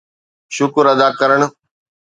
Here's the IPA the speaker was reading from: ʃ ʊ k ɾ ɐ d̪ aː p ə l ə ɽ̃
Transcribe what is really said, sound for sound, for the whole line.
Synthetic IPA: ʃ ʊ k ɾ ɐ d̪ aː k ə ɾ ə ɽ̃